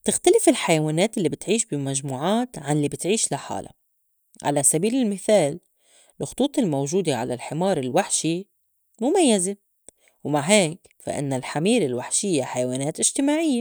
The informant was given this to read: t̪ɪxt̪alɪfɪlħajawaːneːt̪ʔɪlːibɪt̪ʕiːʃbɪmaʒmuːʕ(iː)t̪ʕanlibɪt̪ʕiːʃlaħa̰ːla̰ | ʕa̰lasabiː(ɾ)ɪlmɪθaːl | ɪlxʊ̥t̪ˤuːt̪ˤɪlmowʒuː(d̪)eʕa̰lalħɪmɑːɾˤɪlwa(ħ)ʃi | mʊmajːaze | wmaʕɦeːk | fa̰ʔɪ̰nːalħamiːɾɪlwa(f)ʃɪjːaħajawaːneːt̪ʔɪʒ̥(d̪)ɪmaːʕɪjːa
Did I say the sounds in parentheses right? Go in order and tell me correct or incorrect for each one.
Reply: incorrect, incorrect, correct, correct, incorrect, incorrect

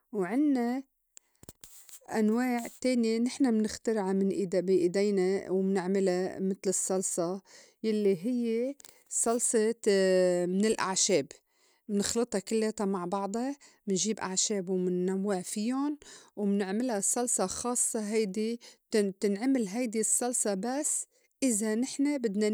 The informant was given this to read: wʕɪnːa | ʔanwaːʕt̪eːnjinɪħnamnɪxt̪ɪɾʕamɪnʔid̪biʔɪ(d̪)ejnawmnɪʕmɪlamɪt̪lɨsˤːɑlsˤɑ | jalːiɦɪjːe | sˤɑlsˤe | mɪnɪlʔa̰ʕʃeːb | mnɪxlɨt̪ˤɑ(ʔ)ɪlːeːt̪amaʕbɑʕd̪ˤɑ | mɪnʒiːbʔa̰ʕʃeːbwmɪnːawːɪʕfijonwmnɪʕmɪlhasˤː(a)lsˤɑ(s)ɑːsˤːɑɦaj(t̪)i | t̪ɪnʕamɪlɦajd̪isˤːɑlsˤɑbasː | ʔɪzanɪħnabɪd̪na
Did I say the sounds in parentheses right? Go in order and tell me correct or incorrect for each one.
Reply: correct, incorrect, incorrect, incorrect, incorrect

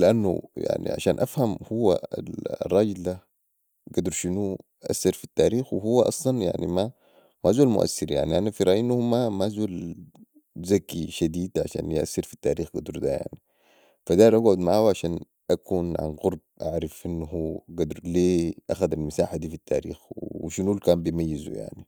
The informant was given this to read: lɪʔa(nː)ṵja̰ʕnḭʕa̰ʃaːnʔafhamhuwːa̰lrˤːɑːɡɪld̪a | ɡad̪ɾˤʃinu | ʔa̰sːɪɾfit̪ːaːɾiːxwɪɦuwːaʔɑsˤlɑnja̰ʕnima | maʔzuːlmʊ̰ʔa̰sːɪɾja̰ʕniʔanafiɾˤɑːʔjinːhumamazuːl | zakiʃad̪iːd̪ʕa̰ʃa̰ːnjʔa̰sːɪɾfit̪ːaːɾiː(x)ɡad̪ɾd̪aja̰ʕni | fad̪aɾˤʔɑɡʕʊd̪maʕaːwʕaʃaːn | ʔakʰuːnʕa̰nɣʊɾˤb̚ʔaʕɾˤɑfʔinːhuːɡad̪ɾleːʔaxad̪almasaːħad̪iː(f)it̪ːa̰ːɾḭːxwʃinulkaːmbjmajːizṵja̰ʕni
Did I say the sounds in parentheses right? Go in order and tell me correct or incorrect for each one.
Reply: correct, correct, correct

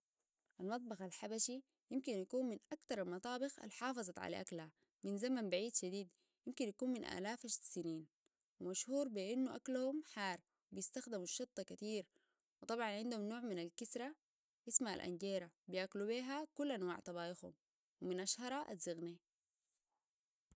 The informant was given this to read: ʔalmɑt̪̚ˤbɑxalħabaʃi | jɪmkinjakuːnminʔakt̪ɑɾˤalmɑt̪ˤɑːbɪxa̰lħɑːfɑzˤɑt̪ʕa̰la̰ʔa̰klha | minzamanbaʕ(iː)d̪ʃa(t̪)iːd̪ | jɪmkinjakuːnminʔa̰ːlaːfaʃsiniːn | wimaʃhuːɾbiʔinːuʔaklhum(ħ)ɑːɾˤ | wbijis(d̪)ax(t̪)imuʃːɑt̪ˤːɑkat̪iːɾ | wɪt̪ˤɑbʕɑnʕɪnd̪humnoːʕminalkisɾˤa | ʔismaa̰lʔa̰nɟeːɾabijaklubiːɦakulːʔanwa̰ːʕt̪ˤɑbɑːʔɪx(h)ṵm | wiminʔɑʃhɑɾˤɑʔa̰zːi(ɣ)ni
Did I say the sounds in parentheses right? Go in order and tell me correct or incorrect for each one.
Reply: correct, incorrect, correct, incorrect, incorrect, correct, correct

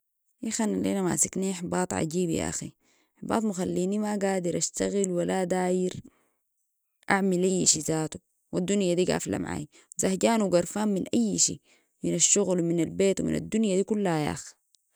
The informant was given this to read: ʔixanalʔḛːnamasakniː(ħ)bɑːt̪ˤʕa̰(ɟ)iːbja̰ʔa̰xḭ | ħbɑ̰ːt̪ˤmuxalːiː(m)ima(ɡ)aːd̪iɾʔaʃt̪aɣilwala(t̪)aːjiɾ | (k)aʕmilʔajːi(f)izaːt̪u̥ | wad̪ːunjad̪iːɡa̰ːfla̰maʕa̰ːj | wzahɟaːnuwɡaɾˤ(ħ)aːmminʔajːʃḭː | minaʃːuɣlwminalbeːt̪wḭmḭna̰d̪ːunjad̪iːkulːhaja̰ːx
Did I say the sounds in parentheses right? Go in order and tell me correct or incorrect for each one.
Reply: correct, correct, incorrect, correct, incorrect, incorrect, incorrect, incorrect

